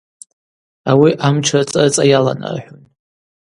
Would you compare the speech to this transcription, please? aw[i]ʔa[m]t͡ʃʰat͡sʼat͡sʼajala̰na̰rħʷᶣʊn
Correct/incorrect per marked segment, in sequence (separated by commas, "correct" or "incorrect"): correct, correct